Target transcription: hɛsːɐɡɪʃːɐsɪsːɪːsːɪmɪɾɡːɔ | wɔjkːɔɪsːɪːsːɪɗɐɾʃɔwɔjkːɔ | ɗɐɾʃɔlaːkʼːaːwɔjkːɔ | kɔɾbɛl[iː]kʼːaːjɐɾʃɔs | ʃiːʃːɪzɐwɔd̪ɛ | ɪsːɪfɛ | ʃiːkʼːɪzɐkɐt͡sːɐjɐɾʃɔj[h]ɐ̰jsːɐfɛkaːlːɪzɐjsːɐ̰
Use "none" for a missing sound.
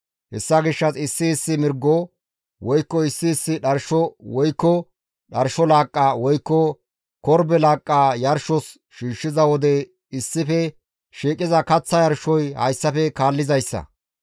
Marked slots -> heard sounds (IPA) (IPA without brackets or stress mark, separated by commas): aː, h